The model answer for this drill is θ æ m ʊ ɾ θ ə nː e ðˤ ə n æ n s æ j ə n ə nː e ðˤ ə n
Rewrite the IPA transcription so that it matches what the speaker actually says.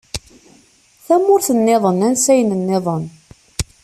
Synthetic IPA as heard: θ æ m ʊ ɾ θ ə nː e ðˤ ə n æ n s æ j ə n ə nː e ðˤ ə n